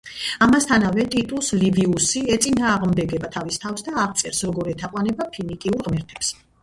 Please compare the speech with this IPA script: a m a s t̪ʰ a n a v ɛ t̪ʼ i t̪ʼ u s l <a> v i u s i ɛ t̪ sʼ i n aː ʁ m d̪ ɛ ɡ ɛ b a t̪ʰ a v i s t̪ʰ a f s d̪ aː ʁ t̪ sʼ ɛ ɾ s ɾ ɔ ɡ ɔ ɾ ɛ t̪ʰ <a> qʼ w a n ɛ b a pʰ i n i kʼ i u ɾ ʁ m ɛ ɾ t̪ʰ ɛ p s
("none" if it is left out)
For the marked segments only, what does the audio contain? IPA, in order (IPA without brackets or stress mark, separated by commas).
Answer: i, a